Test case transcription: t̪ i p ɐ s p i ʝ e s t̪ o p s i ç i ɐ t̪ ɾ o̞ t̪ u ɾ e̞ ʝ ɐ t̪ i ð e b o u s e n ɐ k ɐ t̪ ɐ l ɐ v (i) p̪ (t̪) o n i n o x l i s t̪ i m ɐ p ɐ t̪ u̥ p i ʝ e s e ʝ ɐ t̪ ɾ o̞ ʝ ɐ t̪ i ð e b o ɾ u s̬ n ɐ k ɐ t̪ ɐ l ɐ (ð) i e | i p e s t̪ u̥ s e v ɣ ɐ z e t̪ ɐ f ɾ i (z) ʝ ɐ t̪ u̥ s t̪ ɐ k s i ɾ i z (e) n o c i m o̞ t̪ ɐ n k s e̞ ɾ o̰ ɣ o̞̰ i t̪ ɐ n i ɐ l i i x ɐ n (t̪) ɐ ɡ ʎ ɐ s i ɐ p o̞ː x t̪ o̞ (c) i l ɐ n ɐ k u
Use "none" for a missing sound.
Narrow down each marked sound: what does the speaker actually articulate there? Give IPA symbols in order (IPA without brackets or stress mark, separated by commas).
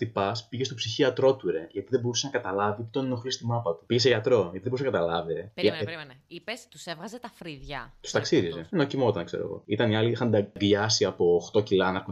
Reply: i, t̪, v, ð, e, d̪, c